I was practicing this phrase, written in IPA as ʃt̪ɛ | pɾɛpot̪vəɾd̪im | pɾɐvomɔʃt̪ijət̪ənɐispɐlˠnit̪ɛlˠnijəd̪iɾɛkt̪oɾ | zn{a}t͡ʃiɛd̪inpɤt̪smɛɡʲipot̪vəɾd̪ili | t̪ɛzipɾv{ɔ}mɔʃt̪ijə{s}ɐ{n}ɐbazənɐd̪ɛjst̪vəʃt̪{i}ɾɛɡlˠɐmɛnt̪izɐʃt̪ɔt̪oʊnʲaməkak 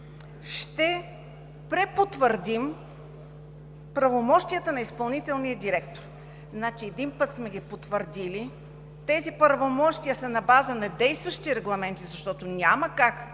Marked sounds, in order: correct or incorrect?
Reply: correct, incorrect, correct, correct, correct

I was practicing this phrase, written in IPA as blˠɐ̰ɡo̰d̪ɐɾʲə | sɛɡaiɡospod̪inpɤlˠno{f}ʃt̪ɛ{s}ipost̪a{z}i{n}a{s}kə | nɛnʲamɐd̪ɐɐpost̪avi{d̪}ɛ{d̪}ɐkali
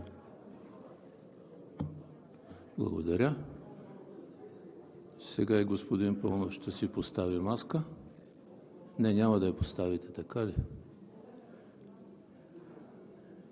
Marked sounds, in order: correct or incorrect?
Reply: correct, correct, incorrect, incorrect, correct, incorrect, incorrect

